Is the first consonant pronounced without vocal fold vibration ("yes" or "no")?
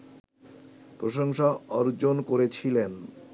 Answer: yes